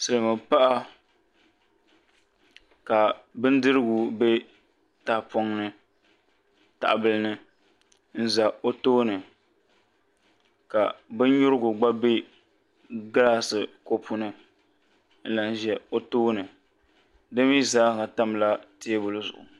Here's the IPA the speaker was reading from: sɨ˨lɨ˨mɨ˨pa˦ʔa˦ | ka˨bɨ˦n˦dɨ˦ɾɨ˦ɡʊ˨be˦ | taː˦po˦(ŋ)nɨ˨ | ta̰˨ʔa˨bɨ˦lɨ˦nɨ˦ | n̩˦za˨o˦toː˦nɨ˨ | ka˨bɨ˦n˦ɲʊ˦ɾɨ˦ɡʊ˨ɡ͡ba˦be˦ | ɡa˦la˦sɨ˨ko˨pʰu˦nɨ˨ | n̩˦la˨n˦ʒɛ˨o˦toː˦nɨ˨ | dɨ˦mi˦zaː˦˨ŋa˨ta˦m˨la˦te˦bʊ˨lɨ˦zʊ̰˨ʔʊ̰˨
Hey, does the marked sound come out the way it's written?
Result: yes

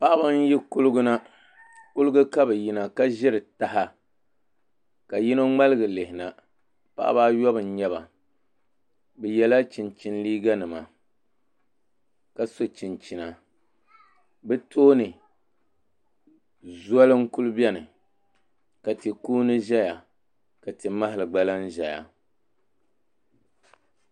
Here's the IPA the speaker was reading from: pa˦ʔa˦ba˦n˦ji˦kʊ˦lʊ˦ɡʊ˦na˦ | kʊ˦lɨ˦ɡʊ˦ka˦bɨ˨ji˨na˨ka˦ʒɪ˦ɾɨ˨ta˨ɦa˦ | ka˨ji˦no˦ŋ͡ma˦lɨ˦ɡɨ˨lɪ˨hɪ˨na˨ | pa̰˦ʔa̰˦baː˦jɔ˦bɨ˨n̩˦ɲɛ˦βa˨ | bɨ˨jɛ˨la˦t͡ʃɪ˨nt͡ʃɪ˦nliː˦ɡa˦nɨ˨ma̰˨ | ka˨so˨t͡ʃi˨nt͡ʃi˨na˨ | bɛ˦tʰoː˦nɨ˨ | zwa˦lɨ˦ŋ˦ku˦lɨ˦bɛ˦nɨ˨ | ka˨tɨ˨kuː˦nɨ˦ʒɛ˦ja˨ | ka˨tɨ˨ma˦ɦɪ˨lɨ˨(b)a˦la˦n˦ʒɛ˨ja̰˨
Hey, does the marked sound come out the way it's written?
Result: no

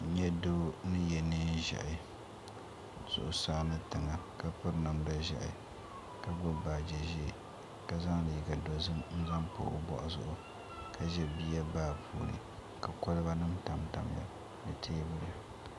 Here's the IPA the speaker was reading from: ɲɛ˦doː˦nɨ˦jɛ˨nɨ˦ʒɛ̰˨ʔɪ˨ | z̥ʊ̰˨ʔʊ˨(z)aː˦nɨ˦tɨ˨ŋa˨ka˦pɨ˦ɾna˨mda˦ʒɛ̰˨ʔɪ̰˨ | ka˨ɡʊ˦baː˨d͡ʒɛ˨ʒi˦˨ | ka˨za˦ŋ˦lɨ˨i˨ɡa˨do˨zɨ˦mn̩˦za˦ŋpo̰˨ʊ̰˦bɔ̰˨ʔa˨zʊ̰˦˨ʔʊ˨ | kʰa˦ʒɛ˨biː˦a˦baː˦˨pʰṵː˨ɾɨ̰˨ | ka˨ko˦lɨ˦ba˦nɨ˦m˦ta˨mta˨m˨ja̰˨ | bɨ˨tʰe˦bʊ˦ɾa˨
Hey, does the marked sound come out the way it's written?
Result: no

